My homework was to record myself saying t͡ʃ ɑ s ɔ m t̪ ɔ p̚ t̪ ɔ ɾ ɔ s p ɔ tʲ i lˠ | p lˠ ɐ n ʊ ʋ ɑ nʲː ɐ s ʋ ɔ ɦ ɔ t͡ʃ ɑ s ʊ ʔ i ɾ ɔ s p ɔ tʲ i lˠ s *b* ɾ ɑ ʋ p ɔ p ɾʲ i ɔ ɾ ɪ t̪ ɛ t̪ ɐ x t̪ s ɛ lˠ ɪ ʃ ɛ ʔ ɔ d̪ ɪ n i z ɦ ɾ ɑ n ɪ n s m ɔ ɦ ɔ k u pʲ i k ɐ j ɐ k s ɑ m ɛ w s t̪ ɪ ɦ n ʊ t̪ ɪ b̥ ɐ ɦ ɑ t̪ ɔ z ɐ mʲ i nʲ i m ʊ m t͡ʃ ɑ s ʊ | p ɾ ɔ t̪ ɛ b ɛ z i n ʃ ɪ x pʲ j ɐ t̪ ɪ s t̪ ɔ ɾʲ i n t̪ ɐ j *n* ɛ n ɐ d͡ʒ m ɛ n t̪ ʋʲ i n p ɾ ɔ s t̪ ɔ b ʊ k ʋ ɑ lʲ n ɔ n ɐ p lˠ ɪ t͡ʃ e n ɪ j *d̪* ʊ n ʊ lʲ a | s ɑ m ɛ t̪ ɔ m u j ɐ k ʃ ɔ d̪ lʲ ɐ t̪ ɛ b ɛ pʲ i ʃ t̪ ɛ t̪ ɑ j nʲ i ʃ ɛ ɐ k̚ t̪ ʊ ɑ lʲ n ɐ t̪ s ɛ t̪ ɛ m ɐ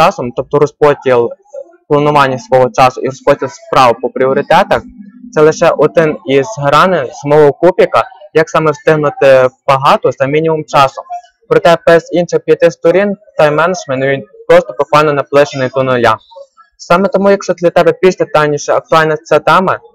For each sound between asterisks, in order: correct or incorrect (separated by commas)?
incorrect, incorrect, incorrect